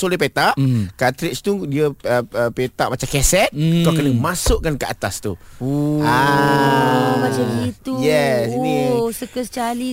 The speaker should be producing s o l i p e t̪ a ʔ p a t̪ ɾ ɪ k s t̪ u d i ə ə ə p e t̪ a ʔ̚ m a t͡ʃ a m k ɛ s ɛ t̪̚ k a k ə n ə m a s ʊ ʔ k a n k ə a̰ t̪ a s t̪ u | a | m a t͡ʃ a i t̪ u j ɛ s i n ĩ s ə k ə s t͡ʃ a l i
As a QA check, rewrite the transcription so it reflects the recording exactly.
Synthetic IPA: s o l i p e t̪ a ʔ k a t̪ ɾ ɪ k s t̪ u d i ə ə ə p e t̪ a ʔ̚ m a t͡ʃ a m k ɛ s ɛ t̪̚ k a k ə n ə m a s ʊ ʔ k a n k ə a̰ t̪ a s t̪ u | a | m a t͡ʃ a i t̪ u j ɛ s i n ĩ s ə k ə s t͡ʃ a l i